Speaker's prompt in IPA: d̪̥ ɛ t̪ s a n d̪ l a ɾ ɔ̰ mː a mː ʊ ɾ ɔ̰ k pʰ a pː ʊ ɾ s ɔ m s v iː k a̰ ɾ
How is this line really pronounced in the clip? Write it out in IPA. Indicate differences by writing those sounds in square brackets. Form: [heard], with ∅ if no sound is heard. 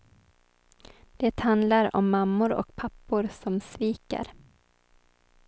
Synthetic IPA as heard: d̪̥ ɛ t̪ [h] a n d̪ l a ɾ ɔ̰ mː a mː ʊ ɾ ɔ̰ k pʰ a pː ʊ ɾ s ɔ m s v iː k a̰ ɾ